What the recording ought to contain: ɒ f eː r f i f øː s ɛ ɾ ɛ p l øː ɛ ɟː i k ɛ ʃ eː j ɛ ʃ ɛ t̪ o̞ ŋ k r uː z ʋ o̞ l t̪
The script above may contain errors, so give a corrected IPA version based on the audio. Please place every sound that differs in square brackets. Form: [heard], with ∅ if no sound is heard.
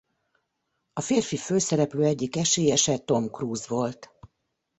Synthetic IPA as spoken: ɒ f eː r f i f øː s ɛ ɾ ɛ p l øː ɛ ɟː i k ɛ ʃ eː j ɛ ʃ ɛ t̪ o̞ [m] k r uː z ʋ o̞ l t̪

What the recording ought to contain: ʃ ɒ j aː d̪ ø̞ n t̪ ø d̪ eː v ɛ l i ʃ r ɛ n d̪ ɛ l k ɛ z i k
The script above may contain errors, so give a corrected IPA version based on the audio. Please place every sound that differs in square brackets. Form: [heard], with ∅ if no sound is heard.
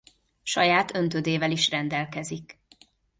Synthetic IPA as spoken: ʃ ɒ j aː [t̪] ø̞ n t̪ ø d̪ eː v ɛ l i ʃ r ɛ n d̪ ɛ l k ɛ z i k

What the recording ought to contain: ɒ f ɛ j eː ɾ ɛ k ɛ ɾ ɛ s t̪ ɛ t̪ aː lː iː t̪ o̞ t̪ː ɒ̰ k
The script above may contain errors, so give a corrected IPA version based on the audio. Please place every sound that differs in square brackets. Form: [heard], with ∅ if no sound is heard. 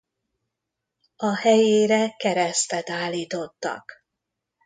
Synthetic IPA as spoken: ɒ [h] ɛ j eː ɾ ɛ k ɛ ɾ ɛ s t̪ ɛ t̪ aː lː iː t̪ o̞ t̪ː ɒ̰ k

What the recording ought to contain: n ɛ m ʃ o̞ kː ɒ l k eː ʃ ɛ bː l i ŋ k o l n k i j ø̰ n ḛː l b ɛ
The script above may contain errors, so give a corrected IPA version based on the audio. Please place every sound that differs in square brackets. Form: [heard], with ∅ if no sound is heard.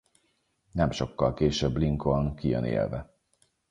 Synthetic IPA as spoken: n ɛ m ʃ o̞ kː ɒ l k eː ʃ ɛ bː l i ŋ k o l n k i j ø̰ n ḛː l [v] ɛ

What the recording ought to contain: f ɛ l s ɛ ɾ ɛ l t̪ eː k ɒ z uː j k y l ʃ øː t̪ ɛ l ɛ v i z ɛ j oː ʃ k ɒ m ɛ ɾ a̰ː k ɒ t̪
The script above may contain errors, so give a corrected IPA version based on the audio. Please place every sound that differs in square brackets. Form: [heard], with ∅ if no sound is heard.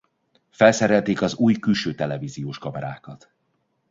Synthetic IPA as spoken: f ɛ l s ɛ ɾ ɛ l t̪ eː k ɒ z uː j k y l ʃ øː t̪ ɛ l ɛ v i z [i] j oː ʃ k ɒ m ɛ ɾ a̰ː k ɒ t̪

